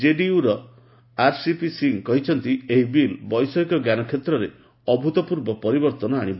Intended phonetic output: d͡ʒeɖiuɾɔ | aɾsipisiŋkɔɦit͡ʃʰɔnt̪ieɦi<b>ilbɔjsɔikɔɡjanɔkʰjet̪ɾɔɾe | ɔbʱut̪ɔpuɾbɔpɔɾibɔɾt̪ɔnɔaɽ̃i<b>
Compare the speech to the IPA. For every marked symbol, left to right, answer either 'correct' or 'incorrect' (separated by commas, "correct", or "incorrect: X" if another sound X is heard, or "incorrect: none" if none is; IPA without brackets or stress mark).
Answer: correct, correct